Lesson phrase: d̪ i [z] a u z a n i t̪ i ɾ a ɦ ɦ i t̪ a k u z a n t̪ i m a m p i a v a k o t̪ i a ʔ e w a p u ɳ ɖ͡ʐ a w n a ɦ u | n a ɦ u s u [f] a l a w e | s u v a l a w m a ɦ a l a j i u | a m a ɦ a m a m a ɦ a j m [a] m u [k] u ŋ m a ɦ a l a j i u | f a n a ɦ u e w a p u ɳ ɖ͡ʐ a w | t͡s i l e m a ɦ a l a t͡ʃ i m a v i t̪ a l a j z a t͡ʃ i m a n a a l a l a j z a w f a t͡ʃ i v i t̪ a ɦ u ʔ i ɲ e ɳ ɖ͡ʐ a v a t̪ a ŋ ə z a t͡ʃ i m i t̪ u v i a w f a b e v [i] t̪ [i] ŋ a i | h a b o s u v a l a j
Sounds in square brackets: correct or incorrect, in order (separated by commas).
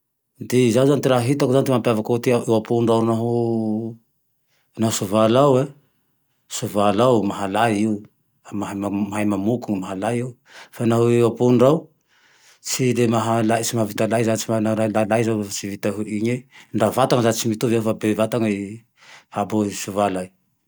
correct, incorrect, correct, correct, incorrect, incorrect